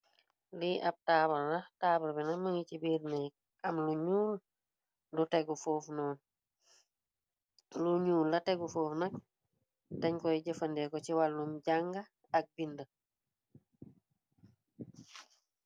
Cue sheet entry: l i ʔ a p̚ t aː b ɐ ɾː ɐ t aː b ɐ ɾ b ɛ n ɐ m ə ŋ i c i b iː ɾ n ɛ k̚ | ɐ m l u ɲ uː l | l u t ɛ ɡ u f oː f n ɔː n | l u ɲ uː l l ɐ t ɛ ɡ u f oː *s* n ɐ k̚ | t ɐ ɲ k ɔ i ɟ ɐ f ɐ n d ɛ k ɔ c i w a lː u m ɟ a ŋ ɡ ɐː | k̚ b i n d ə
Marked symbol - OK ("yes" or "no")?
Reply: no